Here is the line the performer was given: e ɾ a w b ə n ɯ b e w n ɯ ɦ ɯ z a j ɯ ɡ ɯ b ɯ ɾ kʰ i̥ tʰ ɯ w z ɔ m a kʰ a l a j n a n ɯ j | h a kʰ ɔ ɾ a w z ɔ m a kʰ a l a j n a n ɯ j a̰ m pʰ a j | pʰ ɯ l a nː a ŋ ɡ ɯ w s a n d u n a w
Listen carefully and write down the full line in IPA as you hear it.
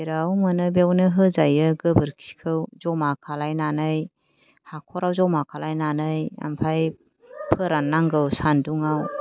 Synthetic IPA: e ɾ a w m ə n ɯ b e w n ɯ ɦ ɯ z a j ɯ ɡ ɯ b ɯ ɾ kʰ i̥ kʰ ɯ w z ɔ m a kʰ a l a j n a n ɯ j | h a kʰ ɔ ɾ a w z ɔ m a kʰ a l a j n a n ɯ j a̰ m pʰ a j | pʰ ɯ ɾ a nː a ŋ ɡ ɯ w s a n d u ŋ a w